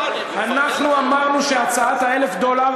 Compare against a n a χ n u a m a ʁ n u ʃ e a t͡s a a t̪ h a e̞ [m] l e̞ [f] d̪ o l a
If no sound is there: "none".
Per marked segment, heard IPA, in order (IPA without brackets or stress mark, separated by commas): none, f